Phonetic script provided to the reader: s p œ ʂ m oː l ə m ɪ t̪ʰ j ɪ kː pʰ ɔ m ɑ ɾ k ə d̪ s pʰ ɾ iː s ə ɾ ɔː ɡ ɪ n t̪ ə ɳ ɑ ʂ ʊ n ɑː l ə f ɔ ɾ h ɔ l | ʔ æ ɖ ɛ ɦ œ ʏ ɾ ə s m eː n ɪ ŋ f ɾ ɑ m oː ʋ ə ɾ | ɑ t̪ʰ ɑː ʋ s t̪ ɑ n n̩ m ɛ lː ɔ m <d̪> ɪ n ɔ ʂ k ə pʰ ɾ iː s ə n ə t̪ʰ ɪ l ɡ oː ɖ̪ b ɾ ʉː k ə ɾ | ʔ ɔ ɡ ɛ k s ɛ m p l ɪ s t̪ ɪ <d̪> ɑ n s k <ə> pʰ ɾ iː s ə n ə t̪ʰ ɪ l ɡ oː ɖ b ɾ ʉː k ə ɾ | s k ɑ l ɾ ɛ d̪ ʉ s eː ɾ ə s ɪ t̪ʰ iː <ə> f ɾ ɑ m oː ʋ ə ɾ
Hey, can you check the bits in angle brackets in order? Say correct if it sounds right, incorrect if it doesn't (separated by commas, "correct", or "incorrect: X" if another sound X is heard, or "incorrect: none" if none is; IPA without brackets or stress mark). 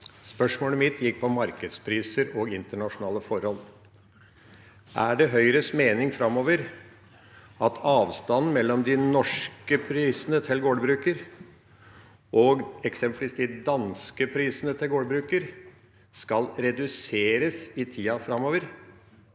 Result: correct, correct, correct, incorrect: ɑ